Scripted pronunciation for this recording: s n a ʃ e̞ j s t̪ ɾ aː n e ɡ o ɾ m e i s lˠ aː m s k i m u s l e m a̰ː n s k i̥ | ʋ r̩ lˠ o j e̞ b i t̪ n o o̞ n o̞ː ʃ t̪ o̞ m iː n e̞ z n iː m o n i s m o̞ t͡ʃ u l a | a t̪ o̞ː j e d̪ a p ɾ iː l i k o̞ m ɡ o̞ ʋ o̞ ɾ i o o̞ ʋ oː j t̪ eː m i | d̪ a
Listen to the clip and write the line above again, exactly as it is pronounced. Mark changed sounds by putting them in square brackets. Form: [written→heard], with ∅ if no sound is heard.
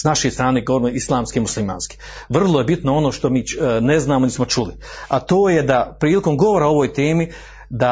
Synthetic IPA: s n a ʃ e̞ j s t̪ ɾ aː n e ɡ o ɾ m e i s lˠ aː m s k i m u s l [e→i] m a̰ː n s k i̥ | ʋ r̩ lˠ o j e̞ b i t̪ n o o̞ n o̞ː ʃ t̪ o̞ m iː n e̞ z n [iː→aː] m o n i s m o̞ t͡ʃ u l [a→i] | a t̪ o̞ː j e d̪ a p ɾ iː l i k o̞ m ɡ o̞ ʋ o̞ ɾ [i→a] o o̞ ʋ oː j t̪ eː m i | d̪ a